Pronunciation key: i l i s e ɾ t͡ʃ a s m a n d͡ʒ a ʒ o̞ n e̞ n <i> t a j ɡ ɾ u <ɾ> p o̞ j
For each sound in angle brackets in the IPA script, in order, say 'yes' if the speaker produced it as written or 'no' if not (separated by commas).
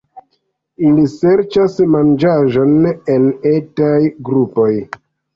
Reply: no, no